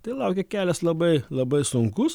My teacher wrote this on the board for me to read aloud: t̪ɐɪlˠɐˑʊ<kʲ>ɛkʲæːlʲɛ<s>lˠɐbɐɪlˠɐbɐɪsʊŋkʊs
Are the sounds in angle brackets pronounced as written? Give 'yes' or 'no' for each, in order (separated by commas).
yes, yes